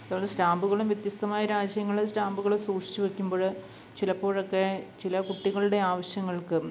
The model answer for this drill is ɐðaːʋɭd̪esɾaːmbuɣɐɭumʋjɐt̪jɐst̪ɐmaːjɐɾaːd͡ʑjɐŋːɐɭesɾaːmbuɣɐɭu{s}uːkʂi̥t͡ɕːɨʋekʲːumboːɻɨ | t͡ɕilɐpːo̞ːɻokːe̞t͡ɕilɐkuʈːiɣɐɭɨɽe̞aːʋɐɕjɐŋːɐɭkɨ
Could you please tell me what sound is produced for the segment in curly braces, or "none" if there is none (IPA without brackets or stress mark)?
s